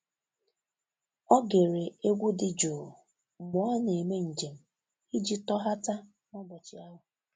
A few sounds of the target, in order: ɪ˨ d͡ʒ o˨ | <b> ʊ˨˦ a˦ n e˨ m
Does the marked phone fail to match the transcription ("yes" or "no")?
yes